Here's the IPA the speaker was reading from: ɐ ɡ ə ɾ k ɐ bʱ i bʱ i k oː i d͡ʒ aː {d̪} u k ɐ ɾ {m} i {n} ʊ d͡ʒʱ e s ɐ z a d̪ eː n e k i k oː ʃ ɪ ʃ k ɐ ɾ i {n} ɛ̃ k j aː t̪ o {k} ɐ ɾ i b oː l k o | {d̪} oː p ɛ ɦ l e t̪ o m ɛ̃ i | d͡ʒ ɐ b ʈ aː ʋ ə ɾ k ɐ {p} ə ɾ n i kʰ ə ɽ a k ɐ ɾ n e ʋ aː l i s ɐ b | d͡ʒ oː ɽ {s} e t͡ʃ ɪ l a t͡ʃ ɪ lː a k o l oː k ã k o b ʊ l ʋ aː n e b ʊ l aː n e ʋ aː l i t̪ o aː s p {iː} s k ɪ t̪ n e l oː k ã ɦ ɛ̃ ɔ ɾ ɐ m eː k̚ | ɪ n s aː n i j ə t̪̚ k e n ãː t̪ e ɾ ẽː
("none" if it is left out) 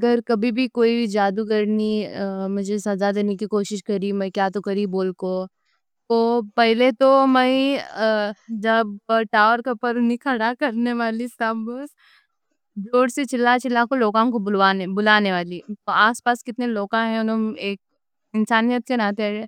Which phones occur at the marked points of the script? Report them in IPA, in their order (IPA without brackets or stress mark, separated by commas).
d̪, n, m, m, k, t̪, p, s, aː